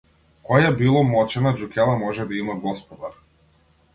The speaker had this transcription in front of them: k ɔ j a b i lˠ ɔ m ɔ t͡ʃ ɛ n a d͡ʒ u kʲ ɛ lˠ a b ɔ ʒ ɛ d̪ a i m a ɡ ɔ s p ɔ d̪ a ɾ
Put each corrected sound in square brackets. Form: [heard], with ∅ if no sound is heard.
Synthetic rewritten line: k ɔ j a b i lˠ ɔ m ɔ t͡ʃ ɛ n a d͡ʒ u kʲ ɛ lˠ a [m] ɔ ʒ ɛ d̪ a i m a ɡ ɔ s p ɔ d̪ a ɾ